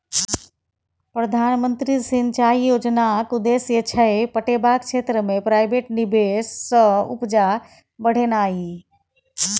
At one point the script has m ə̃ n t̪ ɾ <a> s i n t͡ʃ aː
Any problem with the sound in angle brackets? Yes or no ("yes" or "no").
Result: yes